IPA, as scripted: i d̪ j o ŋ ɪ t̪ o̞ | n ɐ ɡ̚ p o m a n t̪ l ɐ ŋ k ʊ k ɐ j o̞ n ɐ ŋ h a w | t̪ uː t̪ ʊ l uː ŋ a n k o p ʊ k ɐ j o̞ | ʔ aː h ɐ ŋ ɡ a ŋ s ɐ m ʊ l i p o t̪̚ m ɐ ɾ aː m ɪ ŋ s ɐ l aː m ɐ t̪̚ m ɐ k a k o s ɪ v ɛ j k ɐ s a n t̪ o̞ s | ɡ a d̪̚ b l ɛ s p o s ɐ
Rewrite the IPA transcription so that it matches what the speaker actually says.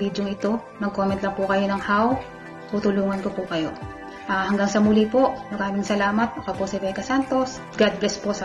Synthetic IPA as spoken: i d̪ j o ŋ ɪ t̪ o̞ | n ɐ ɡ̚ k o m ɛ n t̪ l ɐ ŋ p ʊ k ɐ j o̞ n ɐ ŋ h a w | t̪ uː t̪ ʊ l uː ŋ ɐ n k o p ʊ k ɐ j o̞ | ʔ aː h ɐ ŋ ɡ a ŋ s ɐ m ʊ l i p o m ɐ ɾ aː m ɪ ŋ s ɐ l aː m ɐ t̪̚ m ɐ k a p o s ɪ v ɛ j k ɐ s a n t̪ o̞ s | ɡ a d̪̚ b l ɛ s p o s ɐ